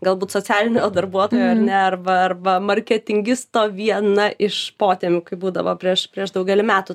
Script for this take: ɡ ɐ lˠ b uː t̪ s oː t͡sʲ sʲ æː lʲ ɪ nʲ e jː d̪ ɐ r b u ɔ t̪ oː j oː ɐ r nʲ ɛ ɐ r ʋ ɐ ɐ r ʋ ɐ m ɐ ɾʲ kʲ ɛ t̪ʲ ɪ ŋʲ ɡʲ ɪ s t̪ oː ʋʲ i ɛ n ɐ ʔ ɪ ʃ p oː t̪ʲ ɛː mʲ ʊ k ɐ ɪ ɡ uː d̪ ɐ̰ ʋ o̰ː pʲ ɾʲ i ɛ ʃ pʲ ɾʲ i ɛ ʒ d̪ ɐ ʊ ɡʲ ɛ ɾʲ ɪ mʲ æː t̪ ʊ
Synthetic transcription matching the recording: ɡ ɐ lˠ b uː t̪ s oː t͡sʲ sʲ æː lʲ ɪ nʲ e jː d̪ ɐ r b u ɔ t̪ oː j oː ɐ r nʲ ɛ ɐ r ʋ ɐ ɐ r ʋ ɐ m ɐ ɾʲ kʲ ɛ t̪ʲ ɪ ŋʲ ɡʲ ɪ s t̪ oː ʋʲ i ɛ n ɐ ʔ ɪ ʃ p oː t̪ʲ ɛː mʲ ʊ k ɐ ɪ b uː d̪ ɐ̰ ʋ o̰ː pʲ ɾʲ i ɛ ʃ pʲ ɾʲ i ɛ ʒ d̪ ɐ ʊ ɡʲ ɛ lʲ ɪ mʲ æː t̪ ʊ